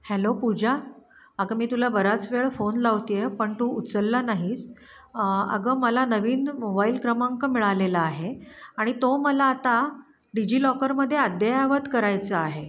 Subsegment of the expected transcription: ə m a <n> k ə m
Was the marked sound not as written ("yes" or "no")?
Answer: yes